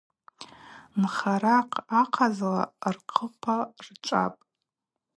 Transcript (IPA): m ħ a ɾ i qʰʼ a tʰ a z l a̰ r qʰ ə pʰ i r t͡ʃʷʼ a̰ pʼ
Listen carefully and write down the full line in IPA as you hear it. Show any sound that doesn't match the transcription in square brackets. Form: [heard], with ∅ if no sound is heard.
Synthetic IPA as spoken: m [χ] a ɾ [a] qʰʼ a [qʰ] a z l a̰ r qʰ ə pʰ [a] r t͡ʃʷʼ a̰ pʼ